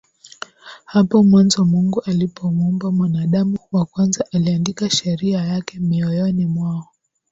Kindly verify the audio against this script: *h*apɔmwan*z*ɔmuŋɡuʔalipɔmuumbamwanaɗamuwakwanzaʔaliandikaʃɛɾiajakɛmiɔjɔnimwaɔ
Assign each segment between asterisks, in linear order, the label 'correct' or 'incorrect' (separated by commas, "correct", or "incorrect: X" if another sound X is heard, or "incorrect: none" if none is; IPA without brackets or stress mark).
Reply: correct, correct